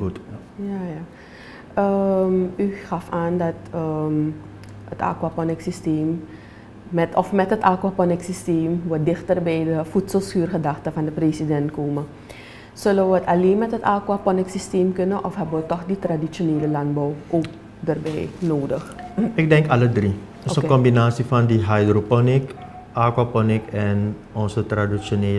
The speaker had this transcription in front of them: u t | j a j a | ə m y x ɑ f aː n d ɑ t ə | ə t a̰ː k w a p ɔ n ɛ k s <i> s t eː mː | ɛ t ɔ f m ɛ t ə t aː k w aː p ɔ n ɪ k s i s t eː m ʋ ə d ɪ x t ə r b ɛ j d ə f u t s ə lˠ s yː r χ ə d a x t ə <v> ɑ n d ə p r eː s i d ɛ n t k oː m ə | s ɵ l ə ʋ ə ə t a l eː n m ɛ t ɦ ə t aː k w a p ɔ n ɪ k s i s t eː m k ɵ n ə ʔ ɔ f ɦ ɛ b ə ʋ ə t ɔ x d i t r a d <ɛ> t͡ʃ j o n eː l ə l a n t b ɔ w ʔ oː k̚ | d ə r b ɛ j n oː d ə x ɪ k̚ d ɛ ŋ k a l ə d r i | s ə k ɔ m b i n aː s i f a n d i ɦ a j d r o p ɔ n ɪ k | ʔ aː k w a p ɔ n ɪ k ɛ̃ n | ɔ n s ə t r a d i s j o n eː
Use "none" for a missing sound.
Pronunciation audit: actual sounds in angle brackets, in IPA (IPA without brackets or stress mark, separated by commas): i, f, i